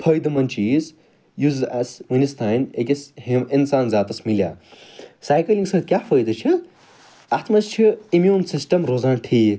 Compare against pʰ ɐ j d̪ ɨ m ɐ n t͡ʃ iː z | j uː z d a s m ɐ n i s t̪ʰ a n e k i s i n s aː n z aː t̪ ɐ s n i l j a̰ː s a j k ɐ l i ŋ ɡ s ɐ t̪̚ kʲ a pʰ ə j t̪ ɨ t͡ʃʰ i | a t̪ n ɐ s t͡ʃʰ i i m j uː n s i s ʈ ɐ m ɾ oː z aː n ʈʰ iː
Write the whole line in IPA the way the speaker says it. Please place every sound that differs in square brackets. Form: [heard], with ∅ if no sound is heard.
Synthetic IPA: pʰ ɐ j d̪ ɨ m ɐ n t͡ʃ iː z | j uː z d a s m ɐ n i s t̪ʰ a n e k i s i n s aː n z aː t̪ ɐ s [m] i l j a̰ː s a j k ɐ l i ŋ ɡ s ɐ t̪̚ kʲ a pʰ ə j [d̪] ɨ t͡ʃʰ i | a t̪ [m] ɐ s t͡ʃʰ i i m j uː n s i s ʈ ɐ m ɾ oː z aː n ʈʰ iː

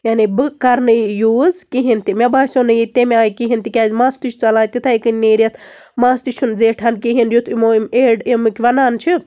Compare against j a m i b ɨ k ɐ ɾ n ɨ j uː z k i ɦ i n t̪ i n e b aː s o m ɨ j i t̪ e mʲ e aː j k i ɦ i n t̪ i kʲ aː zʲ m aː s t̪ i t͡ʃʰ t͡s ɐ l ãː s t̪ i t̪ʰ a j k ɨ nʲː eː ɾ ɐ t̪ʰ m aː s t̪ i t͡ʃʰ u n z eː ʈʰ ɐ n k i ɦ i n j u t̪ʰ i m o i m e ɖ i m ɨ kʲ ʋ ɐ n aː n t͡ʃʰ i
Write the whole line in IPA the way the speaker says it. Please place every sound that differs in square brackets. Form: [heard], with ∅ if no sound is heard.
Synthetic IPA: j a [n] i b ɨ k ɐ ɾ n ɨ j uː z k i ɦ i n t̪ i [m] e b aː s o [n] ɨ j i t̪ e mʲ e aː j k i ɦ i n t̪ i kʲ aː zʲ m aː s t̪ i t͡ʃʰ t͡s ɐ l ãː [∅] t̪ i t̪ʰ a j k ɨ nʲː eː ɾ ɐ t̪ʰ m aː s t̪ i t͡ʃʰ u n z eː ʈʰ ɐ n k i ɦ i n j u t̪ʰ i m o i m e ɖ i m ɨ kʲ ʋ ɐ n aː n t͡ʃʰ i

